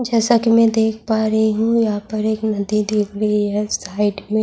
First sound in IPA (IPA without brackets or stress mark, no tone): d͡ʒ